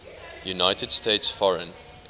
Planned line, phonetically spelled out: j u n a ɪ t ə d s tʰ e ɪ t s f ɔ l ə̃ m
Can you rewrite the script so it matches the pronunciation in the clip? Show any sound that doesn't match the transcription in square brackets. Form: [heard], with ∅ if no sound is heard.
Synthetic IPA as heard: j u n a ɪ t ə d s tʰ e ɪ t s f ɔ [ɹ] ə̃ [n]